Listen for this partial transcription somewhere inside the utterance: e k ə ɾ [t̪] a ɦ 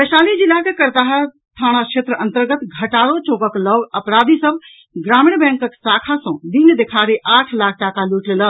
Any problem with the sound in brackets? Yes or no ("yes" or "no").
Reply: no